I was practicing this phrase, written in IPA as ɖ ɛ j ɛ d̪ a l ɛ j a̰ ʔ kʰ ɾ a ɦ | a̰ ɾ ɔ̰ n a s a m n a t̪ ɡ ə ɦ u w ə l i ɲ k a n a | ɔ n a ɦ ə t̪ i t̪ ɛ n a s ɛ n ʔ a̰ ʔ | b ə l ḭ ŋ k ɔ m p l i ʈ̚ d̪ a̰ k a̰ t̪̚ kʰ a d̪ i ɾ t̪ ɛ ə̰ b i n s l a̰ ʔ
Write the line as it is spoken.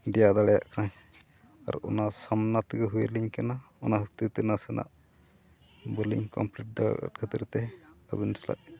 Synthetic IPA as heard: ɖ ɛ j a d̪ a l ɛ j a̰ ʔ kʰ ɾ a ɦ | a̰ ɾ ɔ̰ n a s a m n a t̪ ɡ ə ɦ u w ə l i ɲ k a n a | ɔ n a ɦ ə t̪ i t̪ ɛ n a s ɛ n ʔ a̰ ʔ | b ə l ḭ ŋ k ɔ m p l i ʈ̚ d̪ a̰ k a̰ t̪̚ kʰ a t̪ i ɾ t̪ ɛ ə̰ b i n s l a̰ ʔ